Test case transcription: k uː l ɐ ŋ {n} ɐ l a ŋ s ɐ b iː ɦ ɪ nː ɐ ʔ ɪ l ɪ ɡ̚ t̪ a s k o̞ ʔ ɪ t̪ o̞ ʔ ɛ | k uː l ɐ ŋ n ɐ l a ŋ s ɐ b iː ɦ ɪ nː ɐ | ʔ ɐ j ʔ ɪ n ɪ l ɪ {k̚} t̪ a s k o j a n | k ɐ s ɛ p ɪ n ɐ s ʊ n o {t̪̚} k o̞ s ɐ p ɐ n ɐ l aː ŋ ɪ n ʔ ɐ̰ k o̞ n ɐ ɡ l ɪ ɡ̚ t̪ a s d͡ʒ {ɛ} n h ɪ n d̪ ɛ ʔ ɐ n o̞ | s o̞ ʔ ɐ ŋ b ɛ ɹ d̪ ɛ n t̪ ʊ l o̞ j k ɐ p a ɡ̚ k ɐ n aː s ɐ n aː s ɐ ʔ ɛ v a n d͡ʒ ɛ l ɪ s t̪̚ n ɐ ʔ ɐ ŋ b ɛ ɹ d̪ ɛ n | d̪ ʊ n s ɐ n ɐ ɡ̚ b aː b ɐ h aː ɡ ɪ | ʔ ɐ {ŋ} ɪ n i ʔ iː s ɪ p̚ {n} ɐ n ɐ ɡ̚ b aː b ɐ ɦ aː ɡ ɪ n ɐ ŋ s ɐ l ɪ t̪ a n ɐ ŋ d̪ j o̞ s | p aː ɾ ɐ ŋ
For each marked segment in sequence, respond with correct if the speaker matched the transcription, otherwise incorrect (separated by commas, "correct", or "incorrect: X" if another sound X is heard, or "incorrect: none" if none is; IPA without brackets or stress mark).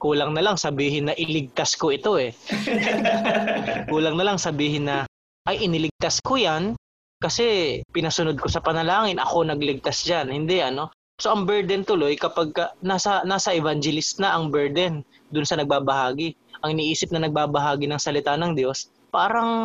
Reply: correct, incorrect: ɡ̚, incorrect: d̪̚, incorrect: a, correct, correct